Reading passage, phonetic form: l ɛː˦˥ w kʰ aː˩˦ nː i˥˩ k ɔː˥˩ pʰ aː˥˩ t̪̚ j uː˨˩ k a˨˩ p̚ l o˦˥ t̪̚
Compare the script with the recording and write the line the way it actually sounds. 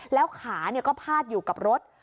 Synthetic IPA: l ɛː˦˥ w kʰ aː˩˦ n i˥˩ k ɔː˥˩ pʰ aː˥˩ t̪̚ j uː˨˩ k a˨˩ p̚ ɾ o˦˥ t̪̚